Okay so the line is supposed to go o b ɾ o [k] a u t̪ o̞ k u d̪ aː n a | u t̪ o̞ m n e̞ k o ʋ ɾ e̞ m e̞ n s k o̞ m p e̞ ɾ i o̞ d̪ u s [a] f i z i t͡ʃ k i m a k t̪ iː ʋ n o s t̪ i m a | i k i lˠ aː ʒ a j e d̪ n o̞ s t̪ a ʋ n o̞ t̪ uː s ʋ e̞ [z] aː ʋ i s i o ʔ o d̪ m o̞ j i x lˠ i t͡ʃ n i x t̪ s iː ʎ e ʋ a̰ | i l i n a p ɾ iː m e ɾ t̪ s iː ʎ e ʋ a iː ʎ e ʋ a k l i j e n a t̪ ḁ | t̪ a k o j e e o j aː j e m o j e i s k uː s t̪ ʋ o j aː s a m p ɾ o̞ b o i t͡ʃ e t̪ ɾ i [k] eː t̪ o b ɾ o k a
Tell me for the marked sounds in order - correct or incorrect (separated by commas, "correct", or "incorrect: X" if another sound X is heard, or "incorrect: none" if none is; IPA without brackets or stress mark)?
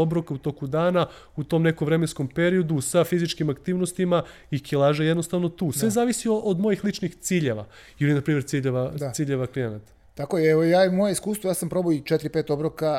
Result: correct, correct, correct, incorrect: p